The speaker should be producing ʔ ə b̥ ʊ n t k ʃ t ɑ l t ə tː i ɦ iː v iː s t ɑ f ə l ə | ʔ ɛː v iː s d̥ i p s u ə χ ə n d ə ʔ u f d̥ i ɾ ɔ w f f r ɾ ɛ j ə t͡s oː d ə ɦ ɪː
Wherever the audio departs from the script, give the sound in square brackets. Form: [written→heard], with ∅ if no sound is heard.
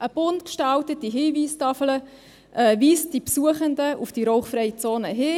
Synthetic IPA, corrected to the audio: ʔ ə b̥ ʊ n t k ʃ t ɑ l t ə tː i ɦ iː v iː s t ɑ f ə l ə | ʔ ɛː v iː s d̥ i p s u ə χ ə n d ə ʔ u f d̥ i ɾ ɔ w [f→χ] f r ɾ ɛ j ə t͡s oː [d→n] ə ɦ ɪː